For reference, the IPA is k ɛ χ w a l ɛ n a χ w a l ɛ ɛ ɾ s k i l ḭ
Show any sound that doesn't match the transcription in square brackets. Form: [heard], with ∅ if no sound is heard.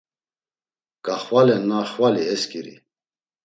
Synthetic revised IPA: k [a] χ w a l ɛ n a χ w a l [i] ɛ [∅] s k i [ɾ] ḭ